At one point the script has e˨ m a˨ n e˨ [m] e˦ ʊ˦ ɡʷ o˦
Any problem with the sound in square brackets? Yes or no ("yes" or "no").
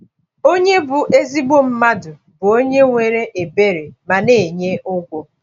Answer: yes